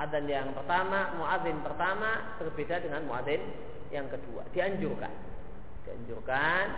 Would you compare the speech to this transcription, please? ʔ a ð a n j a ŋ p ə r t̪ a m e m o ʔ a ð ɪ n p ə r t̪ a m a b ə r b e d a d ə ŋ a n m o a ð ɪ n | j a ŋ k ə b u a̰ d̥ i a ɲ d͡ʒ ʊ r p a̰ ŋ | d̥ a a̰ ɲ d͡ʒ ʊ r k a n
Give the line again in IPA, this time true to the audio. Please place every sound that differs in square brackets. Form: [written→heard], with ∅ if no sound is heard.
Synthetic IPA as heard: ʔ a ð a n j a ŋ p ə r t̪ a m [e→a] m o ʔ a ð ɪ n p ə r t̪ a m a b ə r b e d a d ə ŋ a n m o a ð ɪ n | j a ŋ k ə [b→d] u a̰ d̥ i a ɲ d͡ʒ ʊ r [p→k] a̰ [ŋ→n] | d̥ [a→i] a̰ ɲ d͡ʒ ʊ r k a n